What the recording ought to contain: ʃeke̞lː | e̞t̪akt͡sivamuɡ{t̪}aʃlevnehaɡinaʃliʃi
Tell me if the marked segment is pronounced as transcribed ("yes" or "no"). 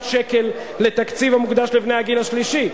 no